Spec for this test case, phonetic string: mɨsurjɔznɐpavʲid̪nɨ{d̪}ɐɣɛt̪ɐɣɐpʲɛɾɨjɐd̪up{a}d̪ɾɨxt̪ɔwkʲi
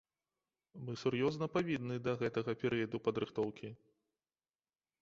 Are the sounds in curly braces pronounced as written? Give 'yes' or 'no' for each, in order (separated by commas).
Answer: yes, no